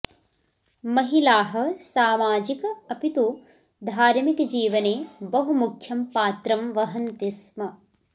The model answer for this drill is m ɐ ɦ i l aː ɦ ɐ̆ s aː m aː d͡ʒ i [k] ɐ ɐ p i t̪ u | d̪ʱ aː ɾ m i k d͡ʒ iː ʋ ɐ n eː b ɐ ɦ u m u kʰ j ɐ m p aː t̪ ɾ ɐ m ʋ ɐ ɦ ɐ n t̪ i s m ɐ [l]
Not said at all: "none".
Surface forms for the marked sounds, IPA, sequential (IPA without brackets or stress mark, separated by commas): k, none